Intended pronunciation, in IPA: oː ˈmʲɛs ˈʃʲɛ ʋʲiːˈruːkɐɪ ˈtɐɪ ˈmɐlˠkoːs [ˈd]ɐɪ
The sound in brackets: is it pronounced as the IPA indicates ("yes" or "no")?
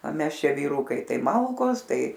no